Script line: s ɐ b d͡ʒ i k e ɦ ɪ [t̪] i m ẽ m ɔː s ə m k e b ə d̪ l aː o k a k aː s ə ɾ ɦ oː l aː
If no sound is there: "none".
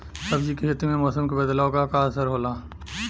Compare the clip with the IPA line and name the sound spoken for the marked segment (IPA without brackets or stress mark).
t̪